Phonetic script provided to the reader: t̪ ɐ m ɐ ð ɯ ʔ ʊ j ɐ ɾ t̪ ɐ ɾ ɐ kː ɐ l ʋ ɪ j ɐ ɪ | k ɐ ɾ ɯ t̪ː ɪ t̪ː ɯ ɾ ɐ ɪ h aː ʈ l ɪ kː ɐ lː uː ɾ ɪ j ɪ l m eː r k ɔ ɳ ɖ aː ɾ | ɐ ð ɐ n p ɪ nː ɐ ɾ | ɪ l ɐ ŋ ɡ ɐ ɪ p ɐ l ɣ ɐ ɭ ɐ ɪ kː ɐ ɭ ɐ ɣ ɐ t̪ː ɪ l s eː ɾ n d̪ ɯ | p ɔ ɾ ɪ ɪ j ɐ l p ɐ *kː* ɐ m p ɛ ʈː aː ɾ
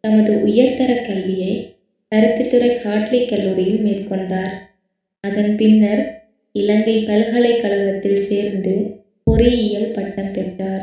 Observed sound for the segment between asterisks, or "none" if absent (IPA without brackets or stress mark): ʈː